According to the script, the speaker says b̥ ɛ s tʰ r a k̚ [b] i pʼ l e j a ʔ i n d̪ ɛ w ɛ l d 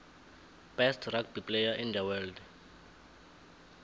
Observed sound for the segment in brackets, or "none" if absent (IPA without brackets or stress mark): b